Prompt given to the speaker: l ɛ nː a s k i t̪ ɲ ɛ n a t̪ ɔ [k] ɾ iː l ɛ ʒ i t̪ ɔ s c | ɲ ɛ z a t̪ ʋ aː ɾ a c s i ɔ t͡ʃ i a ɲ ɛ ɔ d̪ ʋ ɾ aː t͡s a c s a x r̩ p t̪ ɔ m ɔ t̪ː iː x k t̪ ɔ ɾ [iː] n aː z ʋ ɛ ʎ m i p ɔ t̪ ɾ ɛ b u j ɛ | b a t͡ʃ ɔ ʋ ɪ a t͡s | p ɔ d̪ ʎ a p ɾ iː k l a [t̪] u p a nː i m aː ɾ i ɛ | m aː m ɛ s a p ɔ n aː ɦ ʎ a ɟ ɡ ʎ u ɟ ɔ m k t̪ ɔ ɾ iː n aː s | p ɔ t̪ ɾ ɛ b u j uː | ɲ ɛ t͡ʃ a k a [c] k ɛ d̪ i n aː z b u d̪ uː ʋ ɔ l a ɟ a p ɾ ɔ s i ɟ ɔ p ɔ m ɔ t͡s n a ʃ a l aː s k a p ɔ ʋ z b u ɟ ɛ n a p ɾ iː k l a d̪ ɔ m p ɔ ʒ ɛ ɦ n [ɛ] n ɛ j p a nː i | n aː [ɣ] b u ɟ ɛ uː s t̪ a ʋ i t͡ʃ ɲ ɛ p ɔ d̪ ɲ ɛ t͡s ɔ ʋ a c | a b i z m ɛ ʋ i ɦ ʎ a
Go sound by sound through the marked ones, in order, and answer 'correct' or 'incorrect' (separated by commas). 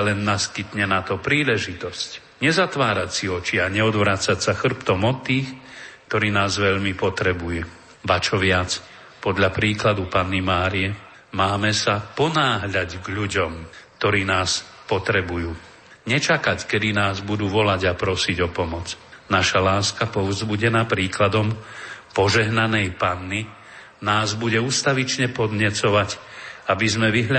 incorrect, correct, incorrect, correct, incorrect, incorrect